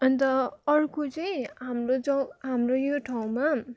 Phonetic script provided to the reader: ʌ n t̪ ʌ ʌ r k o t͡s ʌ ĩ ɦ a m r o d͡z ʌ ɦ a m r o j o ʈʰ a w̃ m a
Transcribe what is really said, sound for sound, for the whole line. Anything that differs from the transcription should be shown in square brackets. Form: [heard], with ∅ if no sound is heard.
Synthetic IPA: ʌ n t̪ ʌ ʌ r k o t͡s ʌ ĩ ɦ a m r o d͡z ʌ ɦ a m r o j o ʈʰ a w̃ m a